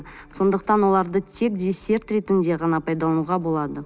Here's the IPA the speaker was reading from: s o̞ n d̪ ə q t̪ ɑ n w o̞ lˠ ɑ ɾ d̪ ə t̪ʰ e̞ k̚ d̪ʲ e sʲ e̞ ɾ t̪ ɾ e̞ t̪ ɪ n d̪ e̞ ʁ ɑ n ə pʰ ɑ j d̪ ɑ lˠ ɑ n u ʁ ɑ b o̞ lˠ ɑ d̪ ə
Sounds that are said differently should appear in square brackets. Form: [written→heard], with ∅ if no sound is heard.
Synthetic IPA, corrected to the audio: s o̞ n d̪ ə q t̪ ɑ n w o̞ lˠ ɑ ɾ d̪ ə t̪ʰ e̞ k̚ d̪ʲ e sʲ e̞ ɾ t̪ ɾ e̞ t̪ ɪ n d̪ e̞ ʁ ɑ n [ə→ɑ] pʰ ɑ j d̪ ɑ lˠ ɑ n u ʁ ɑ b o̞ lˠ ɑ d̪ ə

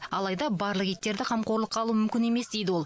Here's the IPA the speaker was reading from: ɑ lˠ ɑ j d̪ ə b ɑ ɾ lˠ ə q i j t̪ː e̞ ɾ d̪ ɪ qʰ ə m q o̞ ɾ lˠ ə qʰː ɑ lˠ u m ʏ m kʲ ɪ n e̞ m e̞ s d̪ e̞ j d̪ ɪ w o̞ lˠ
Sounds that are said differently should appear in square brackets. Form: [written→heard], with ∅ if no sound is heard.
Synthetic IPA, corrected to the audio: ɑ lˠ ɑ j d̪ [ə→ɑ] b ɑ ɾ lˠ ə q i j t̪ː e̞ ɾ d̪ ɪ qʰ [ə→ɑ] m q o̞ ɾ lˠ ə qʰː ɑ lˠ u m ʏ m kʲ ɪ n e̞ m e̞ s d̪ e̞ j d̪ ɪ w o̞ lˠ

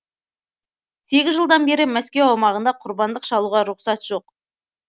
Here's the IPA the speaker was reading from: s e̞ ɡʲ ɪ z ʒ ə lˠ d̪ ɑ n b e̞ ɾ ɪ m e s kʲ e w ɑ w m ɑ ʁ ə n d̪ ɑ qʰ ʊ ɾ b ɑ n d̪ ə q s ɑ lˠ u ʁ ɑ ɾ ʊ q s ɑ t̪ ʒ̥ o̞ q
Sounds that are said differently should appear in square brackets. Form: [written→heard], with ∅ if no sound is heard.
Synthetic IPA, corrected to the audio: s e̞ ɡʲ ɪ z ʒ ə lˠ d̪ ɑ n b e̞ ɾ ɪ m [e→æ] s kʲ e w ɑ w m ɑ ʁ ə n d̪ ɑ qʰ ʊ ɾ b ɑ n d̪ ə q [s→ʃ] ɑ lˠ u ʁ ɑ ɾ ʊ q s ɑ t̪ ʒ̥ o̞ q

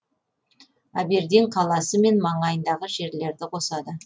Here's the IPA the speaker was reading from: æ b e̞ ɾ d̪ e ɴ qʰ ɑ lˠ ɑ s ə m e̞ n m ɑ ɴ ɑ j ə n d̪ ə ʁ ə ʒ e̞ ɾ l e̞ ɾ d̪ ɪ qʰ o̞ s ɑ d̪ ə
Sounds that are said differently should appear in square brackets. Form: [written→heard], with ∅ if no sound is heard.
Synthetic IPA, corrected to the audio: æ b e̞ ɾ d̪ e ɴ qʰ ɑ lˠ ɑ s ə m e̞ n m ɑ ɴ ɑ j ə n d̪ [ə→ɑ] ʁ ə ʒ e̞ ɾ l e̞ ɾ d̪ ɪ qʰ o̞ s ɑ d̪ ə

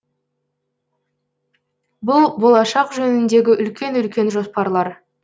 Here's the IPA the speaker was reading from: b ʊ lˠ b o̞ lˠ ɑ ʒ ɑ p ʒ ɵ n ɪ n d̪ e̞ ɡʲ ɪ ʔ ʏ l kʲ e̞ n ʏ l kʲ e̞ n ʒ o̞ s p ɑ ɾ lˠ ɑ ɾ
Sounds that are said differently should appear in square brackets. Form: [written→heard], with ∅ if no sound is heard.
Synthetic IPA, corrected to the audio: b ʊ lˠ b o̞ lˠ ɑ [ʒ→ʃ] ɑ [p→q] ʒ ɵ n ɪ n d̪ e̞ ɡʲ ɪ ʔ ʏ l kʲ e̞ n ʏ l kʲ e̞ n ʒ o̞ s p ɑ ɾ lˠ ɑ ɾ

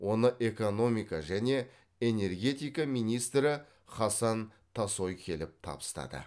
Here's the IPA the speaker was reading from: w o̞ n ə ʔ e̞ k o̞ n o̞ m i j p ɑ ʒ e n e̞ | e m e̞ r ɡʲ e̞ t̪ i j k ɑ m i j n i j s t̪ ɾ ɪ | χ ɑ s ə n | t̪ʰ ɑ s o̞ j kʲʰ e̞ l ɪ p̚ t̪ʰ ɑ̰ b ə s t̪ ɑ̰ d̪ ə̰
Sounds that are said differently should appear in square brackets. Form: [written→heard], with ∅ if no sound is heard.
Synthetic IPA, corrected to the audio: w o̞ n ə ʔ e̞ k o̞ n o̞ m i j [p→k] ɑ ʒ [e→æ] n e̞ | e [m→n] e̞ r ɡʲ e̞ t̪ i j k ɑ m i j n i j s t̪ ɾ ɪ | χ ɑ s [ə→ɑ] n | t̪ʰ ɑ s o̞ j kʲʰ e̞ l ɪ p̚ t̪ʰ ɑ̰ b ə s t̪ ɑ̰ d̪ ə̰

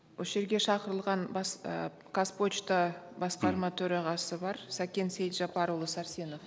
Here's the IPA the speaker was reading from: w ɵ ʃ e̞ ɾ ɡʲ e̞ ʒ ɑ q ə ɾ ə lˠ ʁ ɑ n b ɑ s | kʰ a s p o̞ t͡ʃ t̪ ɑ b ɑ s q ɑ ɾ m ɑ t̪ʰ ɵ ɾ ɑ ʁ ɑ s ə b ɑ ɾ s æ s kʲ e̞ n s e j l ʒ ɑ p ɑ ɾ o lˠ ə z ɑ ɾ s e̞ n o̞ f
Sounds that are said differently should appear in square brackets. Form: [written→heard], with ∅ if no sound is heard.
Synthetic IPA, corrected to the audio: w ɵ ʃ e̞ ɾ ɡʲ e̞ [ʒ→ʃ] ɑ q ə ɾ ə lˠ ʁ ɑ n b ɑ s | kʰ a s p o̞ t͡ʃ t̪ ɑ b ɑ s q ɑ ɾ m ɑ t̪ʰ ɵ ɾ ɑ ʁ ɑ s ə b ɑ ɾ s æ [s→∅] kʲ e̞ n s e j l ʒ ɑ p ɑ ɾ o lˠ ə [z→s] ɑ ɾ s e̞ n o̞ f

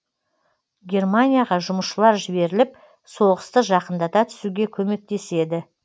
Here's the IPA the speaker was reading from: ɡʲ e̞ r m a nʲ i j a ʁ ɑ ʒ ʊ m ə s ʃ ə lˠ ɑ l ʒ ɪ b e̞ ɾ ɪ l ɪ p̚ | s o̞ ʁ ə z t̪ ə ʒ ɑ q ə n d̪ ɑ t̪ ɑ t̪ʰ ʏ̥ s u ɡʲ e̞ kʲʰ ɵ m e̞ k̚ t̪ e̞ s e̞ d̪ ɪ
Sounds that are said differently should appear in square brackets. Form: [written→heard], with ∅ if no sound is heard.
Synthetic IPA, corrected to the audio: ɡʲ e̞ r m a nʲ i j a ʁ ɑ ʒ ʊ m ə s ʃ ə lˠ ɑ [l→ɾ] ʒ ɪ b e̞ ɾ ɪ l ɪ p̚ | s o̞ ʁ ə [z→s] t̪ ə ʒ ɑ q ə n d̪ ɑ t̪ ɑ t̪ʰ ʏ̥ s u ɡʲ e̞ kʲʰ ɵ m e̞ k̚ t̪ e̞ s e̞ d̪ ɪ

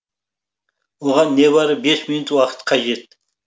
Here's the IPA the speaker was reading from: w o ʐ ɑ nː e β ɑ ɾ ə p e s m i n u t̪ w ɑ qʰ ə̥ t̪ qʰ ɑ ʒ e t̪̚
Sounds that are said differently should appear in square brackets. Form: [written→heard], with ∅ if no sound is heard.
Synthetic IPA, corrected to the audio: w o [ʐ→ʁ] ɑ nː e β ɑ ɾ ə [p→b] e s m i n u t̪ w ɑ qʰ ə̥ t̪ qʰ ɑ ʒ e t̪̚

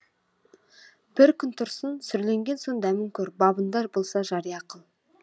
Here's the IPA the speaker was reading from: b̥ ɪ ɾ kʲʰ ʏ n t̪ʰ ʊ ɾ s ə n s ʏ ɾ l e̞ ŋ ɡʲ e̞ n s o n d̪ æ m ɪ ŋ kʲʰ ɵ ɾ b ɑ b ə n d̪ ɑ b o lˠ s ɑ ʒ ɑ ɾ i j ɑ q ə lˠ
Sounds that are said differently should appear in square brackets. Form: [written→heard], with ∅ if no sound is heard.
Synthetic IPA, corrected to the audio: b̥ ɪ ɾ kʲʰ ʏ n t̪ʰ ʊ ɾ s ə n s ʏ ɾ l e̞ ŋ ɡʲ e̞ n s o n d̪ æ m ɪ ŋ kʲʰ ɵ ɾ b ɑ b ə n d̪ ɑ b o lˠ s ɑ ʒ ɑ ɾ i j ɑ q ə lˠ

